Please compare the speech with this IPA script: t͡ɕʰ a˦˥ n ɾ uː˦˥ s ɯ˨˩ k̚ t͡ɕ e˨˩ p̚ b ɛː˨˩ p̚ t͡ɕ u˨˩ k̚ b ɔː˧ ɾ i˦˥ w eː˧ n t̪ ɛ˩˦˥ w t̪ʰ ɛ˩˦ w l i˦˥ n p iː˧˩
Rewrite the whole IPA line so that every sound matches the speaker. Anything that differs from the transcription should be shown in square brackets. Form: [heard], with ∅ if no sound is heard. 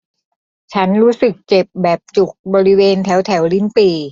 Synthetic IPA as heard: t͡ɕʰ a˦˥ n ɾ uː˦˥ s ɯ˨˩ k̚ t͡ɕ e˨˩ p̚ b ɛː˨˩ p̚ t͡ɕ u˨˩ k̚ b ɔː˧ ɾ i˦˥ w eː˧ n [t̪ʰ] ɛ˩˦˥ w t̪ʰ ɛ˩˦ w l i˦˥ n p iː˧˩